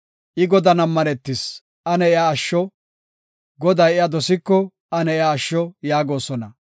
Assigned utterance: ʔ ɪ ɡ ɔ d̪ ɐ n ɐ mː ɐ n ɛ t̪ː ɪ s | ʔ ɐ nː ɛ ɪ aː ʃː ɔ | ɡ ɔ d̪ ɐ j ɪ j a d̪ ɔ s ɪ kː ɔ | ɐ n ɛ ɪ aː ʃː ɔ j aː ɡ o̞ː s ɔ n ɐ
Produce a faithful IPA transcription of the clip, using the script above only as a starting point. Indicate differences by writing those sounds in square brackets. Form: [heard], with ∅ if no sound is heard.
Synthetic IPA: ʔ ɪ ɡ ɔ d̪ ɐ n ɐ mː ɐ n ɛ t̪ː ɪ s | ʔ ɐ [n] ɛ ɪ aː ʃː ɔ | ɡ ɔ d̪ ɐ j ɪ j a d̪ ɔ s ɪ kː ɔ | ɐ n ɛ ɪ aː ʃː ɔ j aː ɡ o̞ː s ɔ n ɐ